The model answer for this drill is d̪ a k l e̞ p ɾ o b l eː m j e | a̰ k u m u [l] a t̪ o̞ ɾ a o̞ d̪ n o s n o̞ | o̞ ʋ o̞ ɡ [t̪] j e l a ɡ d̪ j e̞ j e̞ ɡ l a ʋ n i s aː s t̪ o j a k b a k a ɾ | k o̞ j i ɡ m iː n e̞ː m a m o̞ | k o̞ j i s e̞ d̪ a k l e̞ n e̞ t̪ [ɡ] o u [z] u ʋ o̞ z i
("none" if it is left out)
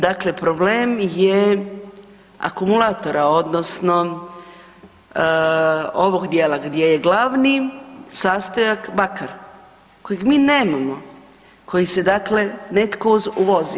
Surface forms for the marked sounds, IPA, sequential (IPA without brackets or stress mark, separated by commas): l, d̪, k, z